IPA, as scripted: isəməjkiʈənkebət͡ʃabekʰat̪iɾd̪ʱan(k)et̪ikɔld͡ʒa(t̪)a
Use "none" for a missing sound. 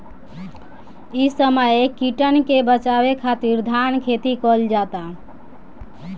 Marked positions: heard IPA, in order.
kʰ, t̪

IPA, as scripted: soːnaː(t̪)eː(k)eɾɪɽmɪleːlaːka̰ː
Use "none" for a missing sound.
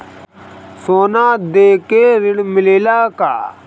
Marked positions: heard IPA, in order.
d̪, k

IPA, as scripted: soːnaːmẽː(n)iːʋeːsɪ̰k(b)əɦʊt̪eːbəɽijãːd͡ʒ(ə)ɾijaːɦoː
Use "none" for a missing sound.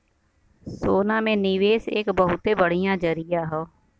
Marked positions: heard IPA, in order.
n, b, ə

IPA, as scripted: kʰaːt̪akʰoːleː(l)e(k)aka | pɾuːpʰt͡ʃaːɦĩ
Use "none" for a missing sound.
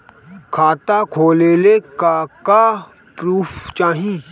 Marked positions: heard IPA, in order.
l, k

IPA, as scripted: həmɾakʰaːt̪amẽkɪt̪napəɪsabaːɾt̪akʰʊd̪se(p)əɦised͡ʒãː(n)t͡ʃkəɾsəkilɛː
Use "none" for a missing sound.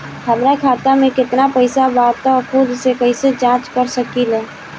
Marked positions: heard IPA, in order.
k, none

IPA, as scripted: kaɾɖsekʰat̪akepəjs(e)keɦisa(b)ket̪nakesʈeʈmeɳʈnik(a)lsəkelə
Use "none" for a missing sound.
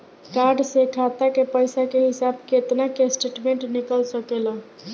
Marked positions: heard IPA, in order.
a, b, ə

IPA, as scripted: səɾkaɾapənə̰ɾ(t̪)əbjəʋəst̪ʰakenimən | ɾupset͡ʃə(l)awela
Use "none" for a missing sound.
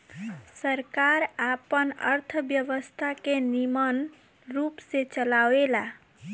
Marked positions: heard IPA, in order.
t̪ʰ, l

